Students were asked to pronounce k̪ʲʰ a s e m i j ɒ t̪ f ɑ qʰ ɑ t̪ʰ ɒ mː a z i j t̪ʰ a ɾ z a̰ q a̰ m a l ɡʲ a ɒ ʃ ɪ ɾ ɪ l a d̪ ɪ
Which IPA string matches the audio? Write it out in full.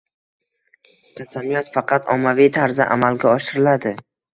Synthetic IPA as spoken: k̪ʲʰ a s a m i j ɒ t̪ f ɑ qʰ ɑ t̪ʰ ɒ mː a v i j t̪ʰ a ɾ z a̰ ʔ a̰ m a l ɡʲ a ɒ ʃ ɪ ɾ ɪ l a d̪ ɪ